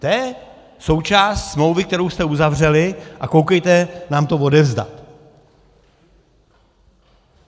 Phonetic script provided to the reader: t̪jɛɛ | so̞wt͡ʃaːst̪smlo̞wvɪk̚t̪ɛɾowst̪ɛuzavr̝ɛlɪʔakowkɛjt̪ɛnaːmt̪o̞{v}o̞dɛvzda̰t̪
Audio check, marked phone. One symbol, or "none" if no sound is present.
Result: v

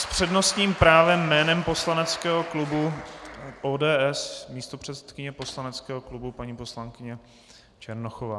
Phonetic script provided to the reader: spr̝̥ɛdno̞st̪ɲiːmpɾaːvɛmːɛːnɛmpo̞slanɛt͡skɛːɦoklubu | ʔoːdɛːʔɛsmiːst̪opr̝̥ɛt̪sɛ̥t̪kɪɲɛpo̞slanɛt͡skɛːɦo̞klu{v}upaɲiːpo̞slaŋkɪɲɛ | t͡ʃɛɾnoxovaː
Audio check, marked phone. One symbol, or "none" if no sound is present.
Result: b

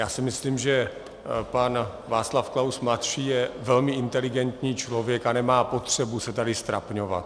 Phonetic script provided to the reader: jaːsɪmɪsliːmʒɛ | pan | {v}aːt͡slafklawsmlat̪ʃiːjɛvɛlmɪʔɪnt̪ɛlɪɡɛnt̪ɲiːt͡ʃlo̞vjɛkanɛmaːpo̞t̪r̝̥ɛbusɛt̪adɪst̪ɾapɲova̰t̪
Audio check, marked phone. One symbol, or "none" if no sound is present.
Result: v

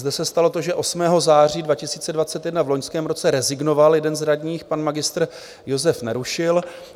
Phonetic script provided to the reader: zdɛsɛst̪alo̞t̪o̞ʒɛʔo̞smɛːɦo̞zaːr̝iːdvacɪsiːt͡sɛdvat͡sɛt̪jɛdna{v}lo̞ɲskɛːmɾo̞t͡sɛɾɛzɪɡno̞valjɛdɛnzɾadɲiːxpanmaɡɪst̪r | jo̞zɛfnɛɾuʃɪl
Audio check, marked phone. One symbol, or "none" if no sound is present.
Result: v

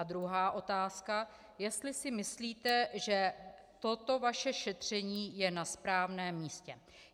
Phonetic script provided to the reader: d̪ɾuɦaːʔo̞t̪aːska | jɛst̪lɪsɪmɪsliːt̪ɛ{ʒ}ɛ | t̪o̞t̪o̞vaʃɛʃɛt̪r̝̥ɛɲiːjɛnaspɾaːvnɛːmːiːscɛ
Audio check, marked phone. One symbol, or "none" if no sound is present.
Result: ʒ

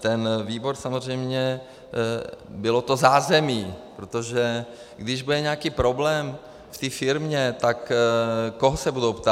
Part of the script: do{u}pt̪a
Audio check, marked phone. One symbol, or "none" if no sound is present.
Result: w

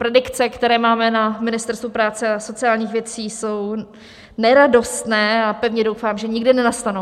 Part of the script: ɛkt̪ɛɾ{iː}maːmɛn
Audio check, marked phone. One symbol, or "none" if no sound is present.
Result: ɛː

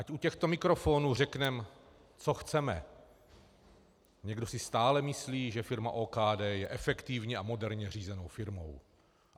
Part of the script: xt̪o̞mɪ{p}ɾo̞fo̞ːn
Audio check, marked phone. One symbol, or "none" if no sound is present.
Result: k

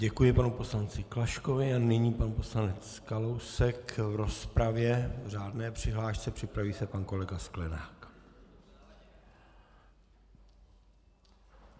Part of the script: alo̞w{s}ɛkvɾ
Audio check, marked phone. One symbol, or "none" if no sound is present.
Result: s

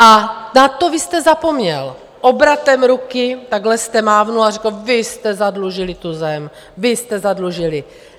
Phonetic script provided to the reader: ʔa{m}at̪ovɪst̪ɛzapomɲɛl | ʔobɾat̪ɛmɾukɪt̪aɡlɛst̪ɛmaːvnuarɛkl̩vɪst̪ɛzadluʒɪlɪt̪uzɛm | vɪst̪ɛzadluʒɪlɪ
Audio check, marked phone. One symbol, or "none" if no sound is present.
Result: n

